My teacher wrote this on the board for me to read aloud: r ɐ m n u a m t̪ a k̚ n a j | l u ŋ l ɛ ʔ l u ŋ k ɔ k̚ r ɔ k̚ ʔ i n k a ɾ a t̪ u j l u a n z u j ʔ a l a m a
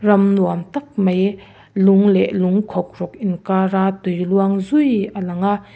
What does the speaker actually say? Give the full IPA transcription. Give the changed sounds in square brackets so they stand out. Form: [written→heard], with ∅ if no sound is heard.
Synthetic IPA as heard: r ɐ m n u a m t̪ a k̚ [n→m] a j | l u ŋ l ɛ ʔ l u ŋ [k→kʰ] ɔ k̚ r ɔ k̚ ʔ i n k a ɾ a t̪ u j l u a [n→ŋ] z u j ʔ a l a [m→ŋ] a